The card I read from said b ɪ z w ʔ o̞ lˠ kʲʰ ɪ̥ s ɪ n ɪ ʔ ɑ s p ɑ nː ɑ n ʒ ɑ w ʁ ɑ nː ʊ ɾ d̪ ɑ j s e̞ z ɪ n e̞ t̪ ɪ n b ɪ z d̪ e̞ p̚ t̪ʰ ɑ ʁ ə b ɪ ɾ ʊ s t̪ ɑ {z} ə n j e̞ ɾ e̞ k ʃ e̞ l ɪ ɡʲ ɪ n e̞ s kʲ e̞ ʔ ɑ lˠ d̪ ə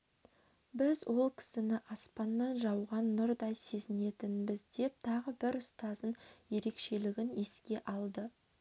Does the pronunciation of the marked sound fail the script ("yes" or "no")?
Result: no